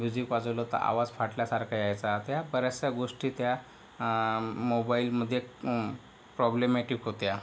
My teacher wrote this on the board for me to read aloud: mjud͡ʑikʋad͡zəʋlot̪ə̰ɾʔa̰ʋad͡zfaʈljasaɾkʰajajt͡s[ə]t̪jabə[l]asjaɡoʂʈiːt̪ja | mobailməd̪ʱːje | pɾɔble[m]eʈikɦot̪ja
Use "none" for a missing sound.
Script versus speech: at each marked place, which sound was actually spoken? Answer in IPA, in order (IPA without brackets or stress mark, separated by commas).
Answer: a, ɾ, m